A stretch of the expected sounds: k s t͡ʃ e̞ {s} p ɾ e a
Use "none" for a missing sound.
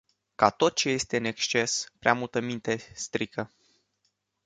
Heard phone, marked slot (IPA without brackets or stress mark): s